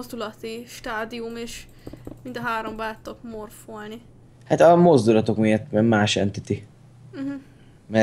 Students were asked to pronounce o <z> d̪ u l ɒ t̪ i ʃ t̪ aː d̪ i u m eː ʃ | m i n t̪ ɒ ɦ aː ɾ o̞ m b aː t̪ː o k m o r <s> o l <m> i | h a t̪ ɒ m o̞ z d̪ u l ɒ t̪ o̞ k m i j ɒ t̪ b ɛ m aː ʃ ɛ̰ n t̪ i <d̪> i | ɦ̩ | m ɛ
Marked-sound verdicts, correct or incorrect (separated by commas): correct, incorrect, incorrect, incorrect